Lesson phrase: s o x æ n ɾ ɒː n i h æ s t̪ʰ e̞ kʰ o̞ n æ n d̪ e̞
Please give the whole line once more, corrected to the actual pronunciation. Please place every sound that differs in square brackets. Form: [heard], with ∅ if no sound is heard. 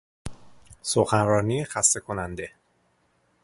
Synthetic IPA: s o x æ n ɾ ɒː n i [x] æ s [t̪] e̞ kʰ o̞ n æ n d̪ e̞